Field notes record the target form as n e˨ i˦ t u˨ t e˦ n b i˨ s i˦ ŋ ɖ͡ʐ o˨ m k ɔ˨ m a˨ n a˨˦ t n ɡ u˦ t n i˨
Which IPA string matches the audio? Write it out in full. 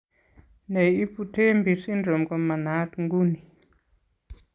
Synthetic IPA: n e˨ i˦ p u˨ t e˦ m b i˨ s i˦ n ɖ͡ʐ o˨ m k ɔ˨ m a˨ n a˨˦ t ŋ ɡ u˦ n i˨